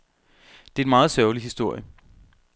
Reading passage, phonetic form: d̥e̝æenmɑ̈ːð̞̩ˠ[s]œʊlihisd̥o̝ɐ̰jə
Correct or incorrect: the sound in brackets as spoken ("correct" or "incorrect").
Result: correct